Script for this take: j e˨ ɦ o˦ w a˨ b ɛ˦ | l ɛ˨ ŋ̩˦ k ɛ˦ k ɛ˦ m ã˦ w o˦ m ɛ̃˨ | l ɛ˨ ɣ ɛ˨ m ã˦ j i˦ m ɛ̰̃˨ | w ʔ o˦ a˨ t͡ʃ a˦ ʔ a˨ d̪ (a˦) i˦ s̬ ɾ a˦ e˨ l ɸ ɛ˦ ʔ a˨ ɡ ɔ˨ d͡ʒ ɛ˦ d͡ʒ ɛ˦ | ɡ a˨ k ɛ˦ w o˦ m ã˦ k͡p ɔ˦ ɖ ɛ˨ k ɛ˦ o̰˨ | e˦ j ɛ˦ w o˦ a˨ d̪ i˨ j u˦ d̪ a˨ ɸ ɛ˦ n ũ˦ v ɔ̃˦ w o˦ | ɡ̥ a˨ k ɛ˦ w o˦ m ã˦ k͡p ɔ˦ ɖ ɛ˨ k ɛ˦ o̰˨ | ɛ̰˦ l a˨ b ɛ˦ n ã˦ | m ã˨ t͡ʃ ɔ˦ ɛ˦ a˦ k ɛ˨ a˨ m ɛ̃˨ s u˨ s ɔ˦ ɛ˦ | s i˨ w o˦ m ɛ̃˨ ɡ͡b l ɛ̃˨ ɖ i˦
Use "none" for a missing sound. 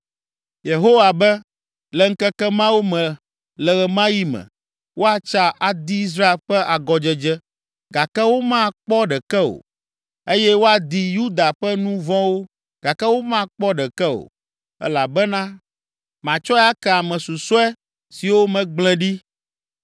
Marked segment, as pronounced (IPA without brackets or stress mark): i˦